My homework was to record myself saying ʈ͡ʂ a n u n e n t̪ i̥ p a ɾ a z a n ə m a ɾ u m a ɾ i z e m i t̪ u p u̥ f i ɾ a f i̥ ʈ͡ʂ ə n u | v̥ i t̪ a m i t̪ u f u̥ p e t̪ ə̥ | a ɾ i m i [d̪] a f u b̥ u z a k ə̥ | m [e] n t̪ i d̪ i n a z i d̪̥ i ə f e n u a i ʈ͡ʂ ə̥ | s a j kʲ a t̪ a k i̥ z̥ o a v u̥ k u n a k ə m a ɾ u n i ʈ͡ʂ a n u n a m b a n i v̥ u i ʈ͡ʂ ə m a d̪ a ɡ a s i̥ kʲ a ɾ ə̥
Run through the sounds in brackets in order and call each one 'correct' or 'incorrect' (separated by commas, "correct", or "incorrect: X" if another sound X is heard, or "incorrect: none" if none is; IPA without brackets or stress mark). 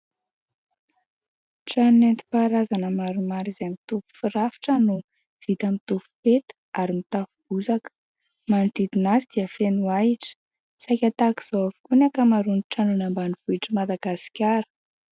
incorrect: t̪, incorrect: a